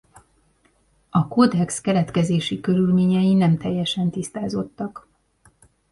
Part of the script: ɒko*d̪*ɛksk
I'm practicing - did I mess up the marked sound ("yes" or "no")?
no